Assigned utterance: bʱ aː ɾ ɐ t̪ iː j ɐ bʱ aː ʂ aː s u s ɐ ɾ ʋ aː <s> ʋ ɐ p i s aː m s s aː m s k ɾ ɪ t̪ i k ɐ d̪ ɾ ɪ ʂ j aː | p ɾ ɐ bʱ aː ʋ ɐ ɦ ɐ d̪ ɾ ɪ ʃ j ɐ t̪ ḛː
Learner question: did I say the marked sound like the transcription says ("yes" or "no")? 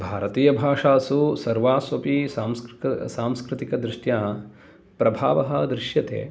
yes